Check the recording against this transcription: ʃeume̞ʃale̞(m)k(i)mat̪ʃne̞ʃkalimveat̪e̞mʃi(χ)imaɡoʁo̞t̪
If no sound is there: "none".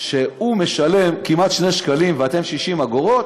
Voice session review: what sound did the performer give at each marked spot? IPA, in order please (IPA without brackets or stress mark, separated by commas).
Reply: m, i, ʃ